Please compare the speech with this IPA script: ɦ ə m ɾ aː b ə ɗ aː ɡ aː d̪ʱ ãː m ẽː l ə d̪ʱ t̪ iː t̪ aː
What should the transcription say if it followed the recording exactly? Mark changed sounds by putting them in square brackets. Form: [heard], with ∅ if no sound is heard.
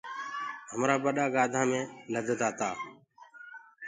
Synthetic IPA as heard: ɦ ə m ɾ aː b ə ɗ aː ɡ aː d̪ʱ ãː m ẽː l ə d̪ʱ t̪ [aː] t̪ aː